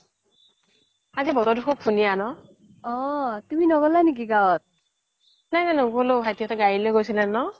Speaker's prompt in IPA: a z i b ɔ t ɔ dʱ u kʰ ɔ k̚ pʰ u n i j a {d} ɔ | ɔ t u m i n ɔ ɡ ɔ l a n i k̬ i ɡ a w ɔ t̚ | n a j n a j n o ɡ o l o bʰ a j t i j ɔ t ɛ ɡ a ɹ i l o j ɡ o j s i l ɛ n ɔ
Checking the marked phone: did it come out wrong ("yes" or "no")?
yes